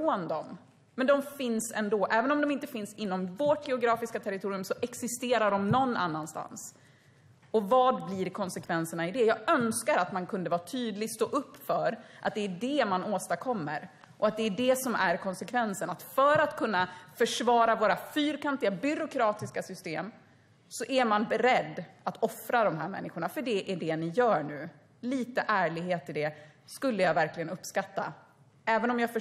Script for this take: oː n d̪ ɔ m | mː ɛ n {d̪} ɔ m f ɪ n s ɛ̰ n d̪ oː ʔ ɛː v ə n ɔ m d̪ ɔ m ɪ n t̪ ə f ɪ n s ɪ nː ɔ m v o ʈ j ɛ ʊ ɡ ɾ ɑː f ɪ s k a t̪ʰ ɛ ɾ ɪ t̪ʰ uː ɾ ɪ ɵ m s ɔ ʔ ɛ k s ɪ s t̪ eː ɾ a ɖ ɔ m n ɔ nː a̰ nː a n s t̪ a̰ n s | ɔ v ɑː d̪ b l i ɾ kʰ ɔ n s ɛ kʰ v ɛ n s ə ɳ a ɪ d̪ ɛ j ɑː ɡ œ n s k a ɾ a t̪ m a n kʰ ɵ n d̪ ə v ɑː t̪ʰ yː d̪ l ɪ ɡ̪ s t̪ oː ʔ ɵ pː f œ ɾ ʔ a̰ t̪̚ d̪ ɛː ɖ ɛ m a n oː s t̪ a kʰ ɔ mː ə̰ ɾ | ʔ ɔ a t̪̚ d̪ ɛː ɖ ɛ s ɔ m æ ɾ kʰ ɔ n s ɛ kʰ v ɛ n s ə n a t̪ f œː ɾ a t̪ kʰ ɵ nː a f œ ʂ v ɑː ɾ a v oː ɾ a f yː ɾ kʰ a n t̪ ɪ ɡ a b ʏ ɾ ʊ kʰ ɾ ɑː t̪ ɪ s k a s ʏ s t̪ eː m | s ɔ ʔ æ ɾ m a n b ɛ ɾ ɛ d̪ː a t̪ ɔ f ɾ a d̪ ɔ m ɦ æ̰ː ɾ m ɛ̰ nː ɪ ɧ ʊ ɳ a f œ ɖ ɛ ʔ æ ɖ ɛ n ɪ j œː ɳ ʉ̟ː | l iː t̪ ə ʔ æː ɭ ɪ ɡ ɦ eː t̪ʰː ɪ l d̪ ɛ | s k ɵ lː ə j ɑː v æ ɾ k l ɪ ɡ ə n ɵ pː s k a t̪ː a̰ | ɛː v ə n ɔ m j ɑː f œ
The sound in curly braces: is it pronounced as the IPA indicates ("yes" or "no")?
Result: yes